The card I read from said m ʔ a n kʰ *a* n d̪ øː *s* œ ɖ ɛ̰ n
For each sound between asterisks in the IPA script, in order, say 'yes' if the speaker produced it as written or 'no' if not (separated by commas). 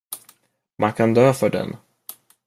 yes, no